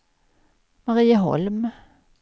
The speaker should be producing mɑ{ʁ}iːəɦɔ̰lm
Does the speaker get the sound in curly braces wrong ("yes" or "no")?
no